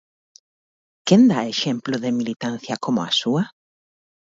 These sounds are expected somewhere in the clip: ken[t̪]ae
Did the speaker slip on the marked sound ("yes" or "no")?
yes